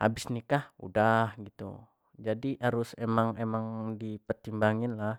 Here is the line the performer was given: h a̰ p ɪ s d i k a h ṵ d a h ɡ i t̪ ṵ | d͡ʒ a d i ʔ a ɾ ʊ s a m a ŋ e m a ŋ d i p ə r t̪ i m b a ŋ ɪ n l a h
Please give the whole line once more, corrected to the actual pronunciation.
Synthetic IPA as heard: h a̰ b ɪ s n i k a h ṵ d a h ɡ i t̪ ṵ | d͡ʒ a d i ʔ a ɾ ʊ s e m a ŋ e m a ŋ d i p ə r t̪ i m b a ŋ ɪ n l a h